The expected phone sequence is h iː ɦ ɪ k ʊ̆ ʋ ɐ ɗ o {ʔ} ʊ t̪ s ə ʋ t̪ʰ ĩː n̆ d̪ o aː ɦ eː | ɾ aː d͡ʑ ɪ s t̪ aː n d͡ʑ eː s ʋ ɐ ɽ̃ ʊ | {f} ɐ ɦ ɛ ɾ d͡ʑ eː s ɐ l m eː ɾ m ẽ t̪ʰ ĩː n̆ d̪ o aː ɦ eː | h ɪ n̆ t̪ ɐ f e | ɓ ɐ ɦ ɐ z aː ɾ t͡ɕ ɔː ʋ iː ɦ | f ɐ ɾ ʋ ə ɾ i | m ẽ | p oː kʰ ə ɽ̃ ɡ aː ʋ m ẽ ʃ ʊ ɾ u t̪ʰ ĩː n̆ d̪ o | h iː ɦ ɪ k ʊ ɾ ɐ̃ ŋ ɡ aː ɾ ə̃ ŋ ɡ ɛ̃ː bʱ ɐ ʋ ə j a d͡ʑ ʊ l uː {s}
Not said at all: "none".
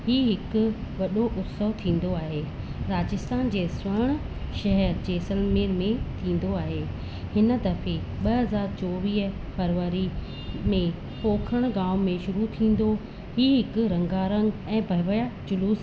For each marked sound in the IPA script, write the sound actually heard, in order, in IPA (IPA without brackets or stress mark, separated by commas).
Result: ʔ, ʃ, s